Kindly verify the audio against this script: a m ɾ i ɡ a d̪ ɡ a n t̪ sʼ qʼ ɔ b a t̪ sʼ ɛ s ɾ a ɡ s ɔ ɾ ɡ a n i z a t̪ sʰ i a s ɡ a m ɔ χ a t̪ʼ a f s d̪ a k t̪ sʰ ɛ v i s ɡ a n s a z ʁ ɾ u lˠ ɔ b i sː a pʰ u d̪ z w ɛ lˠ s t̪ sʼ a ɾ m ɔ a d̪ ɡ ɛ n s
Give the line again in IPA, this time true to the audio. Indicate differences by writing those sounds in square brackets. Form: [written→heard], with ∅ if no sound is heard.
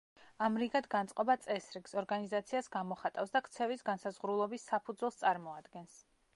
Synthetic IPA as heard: a m ɾ i ɡ a d̪ ɡ a n t̪ sʼ qʼ ɔ b a t̪ sʼ ɛ s ɾ [a→i] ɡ s ɔ ɾ ɡ a n i z a t̪ sʰ i a s ɡ a m ɔ χ a t̪ʼ a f s d̪ a k t̪ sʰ ɛ v i s ɡ a n s a z ʁ ɾ u lˠ ɔ b i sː a pʰ u d̪ z w ɛ lˠ s t̪ sʼ a ɾ m ɔ a d̪ ɡ ɛ n s